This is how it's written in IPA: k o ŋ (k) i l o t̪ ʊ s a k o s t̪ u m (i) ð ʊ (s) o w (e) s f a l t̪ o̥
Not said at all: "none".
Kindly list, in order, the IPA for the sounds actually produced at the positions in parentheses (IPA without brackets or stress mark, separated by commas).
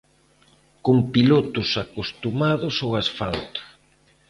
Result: p, a, s, a